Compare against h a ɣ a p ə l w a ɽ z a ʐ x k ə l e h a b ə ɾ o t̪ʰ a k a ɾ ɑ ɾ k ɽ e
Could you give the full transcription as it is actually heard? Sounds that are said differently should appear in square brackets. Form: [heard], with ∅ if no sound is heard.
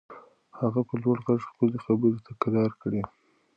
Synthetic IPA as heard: h a ɣ a p ə l w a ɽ [ɣ] a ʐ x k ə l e [x] a b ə ɾ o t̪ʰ a k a ɾ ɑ ɾ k ɽ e

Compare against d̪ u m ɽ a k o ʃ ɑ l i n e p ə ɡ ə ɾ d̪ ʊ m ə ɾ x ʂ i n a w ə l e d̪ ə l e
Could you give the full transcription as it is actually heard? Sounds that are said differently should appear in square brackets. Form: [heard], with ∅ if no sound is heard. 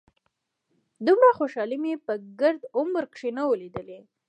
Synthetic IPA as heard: d̪ u m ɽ a [x] o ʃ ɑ l i [m] e p ə ɡ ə ɾ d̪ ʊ m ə ɾ [k] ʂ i n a w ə l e d̪ ə l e

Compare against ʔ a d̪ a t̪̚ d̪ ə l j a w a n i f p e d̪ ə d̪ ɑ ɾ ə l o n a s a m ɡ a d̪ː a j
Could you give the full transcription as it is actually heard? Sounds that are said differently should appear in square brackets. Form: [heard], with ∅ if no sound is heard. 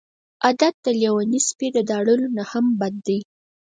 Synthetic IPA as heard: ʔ a d̪ a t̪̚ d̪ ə l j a w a n i [s] p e d̪ ə d̪ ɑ [ɽ] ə l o n a [h] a m [b] a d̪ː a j

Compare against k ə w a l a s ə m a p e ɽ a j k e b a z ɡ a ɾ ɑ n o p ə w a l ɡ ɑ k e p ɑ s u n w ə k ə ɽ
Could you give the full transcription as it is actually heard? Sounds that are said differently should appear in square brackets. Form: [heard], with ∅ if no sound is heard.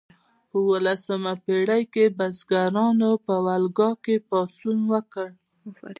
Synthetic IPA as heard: [p] ə w [ə] l a s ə m a p e ɽ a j k e b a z ɡ a ɾ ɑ n o p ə w a l ɡ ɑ k e p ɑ s u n w ə k ə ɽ

